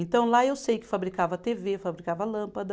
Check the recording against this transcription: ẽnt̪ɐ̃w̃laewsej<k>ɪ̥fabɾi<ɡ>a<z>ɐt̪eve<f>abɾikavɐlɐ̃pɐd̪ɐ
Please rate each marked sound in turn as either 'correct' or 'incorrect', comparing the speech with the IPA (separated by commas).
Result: correct, incorrect, incorrect, correct